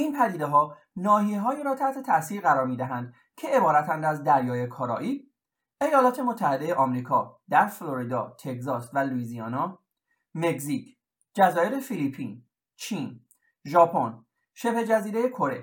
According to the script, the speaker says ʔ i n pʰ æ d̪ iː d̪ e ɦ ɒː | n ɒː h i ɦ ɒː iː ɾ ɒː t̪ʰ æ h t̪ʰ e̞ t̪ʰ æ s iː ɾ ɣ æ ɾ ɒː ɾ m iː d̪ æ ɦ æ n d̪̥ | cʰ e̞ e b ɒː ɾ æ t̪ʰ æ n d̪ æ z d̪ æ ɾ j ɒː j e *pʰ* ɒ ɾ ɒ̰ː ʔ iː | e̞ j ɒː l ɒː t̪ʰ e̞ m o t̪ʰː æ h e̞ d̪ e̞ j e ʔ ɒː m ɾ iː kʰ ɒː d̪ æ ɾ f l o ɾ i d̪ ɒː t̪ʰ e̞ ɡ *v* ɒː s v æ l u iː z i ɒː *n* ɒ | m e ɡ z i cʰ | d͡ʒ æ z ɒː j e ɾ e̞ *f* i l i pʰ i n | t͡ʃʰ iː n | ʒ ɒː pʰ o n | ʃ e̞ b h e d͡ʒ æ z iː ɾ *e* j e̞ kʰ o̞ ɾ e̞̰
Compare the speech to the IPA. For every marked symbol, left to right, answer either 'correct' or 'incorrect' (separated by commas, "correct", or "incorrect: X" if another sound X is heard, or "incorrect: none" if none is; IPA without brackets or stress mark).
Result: incorrect: kʰ, incorrect: z, correct, correct, correct